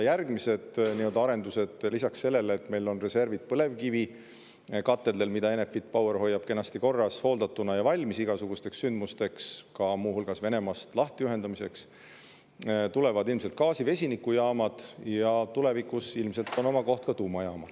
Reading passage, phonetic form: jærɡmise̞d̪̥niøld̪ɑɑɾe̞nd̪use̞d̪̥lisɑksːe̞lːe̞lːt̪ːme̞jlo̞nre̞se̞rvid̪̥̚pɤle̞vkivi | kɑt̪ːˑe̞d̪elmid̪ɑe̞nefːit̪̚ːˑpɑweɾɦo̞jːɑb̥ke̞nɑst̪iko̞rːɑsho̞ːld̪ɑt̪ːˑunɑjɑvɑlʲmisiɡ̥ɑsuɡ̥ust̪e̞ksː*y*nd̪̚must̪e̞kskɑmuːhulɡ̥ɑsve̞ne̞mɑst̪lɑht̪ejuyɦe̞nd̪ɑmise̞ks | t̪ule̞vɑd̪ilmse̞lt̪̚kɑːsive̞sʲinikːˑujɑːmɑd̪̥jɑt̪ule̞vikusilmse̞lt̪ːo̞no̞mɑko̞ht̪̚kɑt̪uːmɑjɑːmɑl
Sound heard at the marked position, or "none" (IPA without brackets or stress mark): y